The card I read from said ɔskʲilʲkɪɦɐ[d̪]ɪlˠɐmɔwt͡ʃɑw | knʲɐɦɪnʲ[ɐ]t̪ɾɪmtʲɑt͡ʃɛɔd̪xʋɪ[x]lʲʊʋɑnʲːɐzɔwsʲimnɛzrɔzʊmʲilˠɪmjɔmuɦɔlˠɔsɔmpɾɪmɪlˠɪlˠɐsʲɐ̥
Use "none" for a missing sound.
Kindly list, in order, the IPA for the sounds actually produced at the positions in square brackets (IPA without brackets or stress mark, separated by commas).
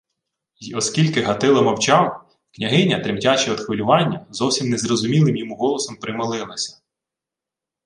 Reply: t̪, ɐ, none